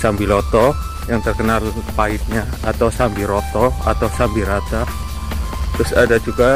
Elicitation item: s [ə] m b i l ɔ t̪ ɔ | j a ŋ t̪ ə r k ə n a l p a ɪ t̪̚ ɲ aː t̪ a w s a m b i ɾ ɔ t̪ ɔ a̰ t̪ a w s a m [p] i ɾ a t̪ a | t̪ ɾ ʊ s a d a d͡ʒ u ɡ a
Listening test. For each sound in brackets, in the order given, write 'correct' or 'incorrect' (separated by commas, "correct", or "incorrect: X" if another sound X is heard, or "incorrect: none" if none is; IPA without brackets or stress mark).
incorrect: a, incorrect: b